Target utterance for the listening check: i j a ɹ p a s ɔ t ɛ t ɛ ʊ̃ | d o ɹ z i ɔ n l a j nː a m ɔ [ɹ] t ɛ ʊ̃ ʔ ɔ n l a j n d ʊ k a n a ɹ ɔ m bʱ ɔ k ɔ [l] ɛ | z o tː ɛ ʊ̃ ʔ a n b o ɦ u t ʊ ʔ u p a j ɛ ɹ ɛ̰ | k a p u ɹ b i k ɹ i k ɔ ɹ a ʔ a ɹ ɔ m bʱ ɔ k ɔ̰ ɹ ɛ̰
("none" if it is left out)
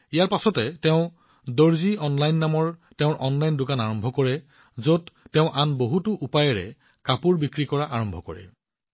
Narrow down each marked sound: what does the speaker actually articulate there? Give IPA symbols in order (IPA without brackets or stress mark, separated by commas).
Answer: ɹ, ɹ